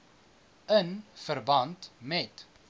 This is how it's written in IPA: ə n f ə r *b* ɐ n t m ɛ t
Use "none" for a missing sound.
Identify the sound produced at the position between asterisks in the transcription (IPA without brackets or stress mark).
b